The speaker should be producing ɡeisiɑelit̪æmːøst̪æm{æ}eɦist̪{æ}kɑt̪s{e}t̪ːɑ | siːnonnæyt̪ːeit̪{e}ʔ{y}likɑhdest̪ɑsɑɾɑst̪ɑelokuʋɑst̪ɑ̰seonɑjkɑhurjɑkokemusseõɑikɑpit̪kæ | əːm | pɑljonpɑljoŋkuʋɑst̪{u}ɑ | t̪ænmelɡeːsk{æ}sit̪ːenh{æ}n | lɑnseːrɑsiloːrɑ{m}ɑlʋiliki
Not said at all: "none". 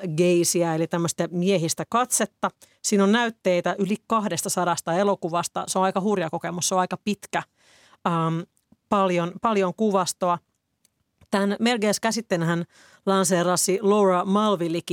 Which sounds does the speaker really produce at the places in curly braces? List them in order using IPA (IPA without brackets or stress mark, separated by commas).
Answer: i, æ, e, æ, y, o, æ, æ, m